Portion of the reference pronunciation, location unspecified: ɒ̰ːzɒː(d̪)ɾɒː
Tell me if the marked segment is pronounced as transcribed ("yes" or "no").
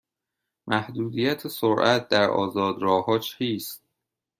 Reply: yes